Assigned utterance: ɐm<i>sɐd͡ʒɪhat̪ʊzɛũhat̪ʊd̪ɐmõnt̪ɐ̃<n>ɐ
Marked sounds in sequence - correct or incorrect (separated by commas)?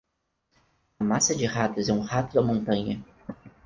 incorrect, incorrect